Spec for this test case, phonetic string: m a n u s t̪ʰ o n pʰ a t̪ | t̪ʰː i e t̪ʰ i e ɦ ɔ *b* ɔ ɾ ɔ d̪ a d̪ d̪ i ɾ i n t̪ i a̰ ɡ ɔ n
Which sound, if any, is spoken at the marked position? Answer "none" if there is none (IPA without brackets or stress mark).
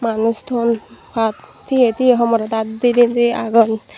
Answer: m